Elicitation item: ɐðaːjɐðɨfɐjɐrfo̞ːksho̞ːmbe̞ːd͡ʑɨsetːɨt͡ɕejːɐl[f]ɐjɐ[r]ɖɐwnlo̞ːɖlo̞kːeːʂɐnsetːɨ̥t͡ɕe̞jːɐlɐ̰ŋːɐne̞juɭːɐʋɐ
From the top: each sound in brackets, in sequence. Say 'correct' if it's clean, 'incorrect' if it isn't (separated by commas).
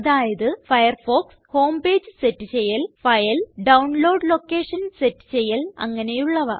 correct, incorrect